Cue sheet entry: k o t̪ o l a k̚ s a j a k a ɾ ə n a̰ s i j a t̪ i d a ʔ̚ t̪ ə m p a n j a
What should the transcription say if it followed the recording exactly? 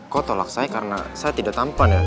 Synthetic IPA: k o t̪ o l a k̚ s a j a k a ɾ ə n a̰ s a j a t̪ i d a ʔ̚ t̪ a m p a n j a